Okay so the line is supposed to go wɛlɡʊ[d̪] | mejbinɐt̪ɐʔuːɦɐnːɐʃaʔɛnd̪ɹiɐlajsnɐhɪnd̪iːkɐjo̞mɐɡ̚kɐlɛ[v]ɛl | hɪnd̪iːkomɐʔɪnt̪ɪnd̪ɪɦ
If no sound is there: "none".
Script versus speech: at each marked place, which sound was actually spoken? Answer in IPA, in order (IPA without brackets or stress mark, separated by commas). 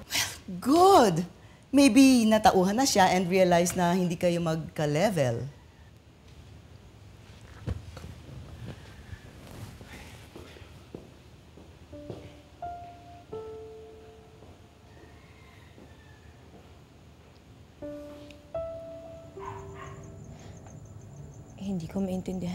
d̪, v